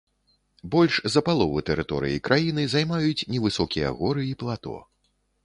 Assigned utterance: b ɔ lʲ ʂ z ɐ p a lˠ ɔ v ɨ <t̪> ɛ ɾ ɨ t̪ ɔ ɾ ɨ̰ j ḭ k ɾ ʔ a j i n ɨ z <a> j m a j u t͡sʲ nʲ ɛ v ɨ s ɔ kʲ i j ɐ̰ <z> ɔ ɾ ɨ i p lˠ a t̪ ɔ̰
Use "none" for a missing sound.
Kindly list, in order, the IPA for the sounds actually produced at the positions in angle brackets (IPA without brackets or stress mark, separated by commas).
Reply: t̪, a, ɣ